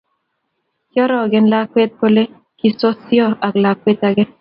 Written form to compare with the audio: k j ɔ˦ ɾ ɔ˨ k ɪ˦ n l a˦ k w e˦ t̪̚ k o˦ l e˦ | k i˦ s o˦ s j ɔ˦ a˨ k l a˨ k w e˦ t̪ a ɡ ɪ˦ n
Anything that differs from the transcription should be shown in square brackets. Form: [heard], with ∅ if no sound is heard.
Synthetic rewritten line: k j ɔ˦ ɾ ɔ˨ [ɡ] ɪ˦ n l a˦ k w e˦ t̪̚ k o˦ l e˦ | k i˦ s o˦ s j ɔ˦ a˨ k l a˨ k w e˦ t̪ a ɡ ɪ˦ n